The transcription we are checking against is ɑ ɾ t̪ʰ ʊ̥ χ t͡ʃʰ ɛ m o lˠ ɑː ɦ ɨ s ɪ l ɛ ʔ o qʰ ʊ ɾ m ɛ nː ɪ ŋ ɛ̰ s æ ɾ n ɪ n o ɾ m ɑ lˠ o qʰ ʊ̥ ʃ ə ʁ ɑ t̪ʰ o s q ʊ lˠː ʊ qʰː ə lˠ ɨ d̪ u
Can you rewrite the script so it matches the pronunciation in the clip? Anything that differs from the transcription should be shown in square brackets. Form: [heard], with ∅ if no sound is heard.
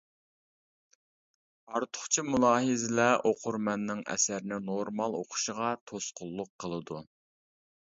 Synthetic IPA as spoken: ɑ ɾ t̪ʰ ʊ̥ χ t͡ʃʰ [i] m [u] lˠ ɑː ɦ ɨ [z] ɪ l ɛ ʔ o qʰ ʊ ɾ m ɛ nː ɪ ŋ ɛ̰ s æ ɾ n ɪ n o ɾ m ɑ lˠ o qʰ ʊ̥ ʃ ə ʁ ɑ t̪ʰ o s q ʊ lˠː ʊ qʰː ə lˠ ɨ d̪ u